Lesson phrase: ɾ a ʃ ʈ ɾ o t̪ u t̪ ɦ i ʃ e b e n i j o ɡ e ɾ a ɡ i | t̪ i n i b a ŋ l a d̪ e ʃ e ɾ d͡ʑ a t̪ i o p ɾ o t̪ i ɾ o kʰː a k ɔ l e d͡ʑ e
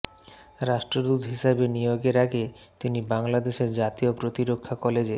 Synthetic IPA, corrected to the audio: ɾ a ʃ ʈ ɾ o d̪ u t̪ ɦ i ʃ a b e n i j o ɡ e ɾ a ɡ e | t̪ i n i b a ŋ l a d̪ e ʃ e ɾ d͡ʑ a t̪ i o p ɾ o t̪ i ɾ o kʰː a k ɔ l e d͡ʑ e